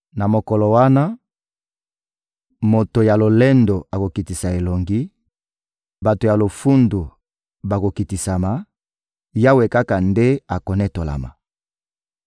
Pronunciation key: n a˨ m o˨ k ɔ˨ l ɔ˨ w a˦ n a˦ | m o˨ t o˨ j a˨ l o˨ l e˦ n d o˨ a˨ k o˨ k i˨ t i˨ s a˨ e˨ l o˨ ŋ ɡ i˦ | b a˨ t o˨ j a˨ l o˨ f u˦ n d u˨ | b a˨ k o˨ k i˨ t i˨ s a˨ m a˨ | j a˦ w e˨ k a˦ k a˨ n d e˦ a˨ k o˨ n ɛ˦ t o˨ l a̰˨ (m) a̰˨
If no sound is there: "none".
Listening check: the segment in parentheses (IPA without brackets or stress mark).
m